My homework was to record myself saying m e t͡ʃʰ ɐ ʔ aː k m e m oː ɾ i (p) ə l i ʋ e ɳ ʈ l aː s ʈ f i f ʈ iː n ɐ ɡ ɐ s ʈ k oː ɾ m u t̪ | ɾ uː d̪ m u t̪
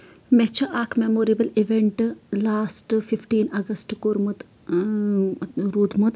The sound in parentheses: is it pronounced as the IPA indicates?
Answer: no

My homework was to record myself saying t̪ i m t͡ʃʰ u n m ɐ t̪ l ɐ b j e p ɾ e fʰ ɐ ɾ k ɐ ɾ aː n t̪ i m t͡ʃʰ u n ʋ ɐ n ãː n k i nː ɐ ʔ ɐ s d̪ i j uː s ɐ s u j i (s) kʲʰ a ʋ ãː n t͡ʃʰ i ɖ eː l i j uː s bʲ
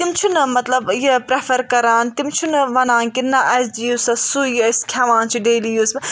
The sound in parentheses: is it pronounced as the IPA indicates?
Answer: yes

